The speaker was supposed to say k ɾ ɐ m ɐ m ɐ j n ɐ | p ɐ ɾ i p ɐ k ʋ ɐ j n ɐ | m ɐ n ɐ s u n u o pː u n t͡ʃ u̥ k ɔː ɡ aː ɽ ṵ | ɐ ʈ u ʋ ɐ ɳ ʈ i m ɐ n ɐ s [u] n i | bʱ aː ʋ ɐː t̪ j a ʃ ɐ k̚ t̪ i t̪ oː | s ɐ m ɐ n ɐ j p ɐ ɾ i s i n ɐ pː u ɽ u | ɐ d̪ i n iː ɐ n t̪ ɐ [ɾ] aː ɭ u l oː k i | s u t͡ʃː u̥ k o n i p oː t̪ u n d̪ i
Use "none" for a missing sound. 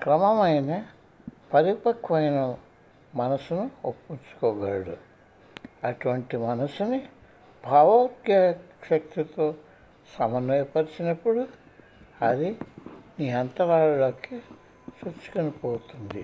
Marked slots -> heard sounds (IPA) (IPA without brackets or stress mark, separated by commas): u, ɾ